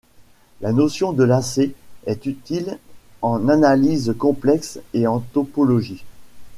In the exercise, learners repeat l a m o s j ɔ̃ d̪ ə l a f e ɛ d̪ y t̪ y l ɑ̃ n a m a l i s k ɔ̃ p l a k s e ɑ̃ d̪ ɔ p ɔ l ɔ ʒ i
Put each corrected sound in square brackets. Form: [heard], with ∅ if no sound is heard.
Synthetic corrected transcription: l a [n] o s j ɔ̃ d̪ ə l a [s] e ɛ [t̪] y t̪ [i] l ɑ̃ n a [n] a l i [z] k ɔ̃ p l [ɛ] k s e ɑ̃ [t̪] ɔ p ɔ l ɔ ʒ i